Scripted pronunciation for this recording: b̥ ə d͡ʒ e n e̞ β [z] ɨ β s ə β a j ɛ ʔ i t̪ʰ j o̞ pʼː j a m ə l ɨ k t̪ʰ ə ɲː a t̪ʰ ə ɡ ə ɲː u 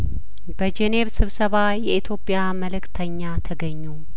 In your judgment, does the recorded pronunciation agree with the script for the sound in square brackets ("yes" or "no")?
no